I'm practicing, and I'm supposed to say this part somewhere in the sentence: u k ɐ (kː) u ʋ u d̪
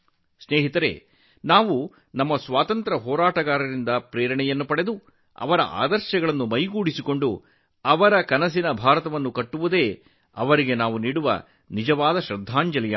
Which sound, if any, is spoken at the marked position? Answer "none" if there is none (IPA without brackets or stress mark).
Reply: ʈː